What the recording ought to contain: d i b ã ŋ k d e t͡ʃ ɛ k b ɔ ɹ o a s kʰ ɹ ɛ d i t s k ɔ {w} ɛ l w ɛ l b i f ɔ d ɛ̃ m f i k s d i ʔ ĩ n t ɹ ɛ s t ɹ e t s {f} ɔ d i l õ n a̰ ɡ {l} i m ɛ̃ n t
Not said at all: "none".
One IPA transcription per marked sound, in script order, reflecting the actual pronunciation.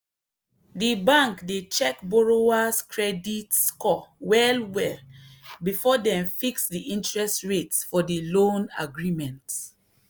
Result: w, f, ɹ

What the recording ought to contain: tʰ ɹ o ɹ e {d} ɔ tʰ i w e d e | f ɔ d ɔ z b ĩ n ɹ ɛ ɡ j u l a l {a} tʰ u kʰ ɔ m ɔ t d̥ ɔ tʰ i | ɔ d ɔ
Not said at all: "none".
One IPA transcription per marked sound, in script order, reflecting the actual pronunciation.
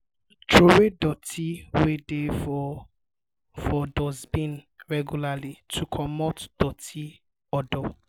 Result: d, i

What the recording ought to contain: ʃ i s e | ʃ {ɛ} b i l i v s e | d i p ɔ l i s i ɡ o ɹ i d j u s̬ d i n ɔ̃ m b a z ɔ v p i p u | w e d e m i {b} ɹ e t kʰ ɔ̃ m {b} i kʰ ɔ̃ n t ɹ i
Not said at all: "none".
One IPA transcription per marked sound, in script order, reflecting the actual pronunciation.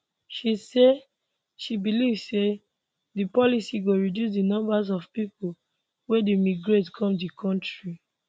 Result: i, ɡ, d

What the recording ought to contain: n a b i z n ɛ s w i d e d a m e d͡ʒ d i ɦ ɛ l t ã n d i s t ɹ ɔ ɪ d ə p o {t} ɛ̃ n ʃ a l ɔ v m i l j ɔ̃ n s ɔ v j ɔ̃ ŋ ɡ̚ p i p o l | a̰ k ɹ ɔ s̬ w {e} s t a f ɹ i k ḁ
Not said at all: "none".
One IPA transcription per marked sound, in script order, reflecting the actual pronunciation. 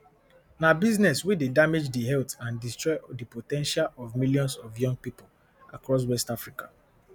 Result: t, ɛ

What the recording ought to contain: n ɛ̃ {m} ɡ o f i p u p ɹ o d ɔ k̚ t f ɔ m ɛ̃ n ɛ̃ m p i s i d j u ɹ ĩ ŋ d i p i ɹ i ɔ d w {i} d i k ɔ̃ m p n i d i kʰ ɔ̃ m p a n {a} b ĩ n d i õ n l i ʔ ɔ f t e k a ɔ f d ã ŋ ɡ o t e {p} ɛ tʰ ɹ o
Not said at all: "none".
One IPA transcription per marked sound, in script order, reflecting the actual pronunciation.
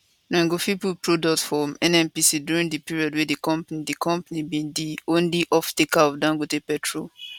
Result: ŋ, ɛ, i, p

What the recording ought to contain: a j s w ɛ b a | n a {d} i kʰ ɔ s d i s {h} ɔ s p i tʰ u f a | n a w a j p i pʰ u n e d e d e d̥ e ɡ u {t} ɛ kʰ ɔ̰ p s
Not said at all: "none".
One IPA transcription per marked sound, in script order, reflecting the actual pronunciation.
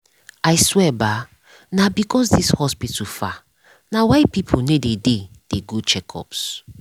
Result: b, h, t͡ʃ

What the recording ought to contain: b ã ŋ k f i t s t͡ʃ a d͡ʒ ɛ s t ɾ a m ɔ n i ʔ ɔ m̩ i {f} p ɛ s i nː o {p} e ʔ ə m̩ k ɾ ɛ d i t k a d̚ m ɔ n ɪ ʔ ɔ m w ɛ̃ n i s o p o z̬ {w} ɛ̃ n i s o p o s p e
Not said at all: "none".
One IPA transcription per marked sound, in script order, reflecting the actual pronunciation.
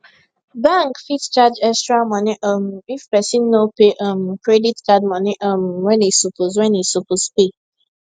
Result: f, p, w

